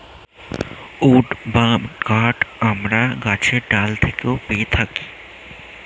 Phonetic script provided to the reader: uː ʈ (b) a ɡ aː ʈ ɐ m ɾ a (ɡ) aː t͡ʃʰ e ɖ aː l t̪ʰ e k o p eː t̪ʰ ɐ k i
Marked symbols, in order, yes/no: yes, yes

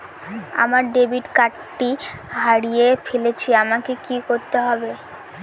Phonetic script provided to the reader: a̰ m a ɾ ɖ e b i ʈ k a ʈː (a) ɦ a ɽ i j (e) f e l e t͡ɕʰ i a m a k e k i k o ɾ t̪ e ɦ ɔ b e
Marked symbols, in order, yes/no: no, yes

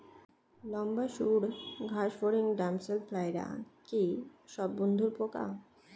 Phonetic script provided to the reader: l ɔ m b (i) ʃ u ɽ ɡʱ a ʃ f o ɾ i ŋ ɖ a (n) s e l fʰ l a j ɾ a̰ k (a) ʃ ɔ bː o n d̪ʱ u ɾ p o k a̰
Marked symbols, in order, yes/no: no, no, no

